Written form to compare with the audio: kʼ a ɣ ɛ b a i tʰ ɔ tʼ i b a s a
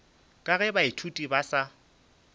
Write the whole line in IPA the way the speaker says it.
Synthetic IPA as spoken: kʼ a ɣ ɛ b a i tʰ u tʼ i b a s a